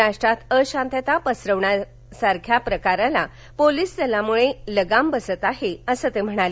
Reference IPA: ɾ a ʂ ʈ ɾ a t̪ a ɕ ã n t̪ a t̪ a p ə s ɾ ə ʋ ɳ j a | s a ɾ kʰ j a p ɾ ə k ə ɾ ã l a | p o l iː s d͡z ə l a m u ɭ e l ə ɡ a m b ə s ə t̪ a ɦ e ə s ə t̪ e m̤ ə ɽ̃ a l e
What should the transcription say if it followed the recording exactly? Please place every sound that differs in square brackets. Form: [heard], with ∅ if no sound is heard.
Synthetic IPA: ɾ a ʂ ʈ ɾ a t̪ [ə] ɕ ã n t̪ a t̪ a p ə s ɾ ə ʋ ɳ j a | s a ɾ kʰ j a p ɾ ə k [a] ɾ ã l a | p o l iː s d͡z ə l a m u ɭ e l ə ɡ a m b ə s ə t̪ a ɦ e ə s ə t̪ e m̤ ə ɽ̃ a l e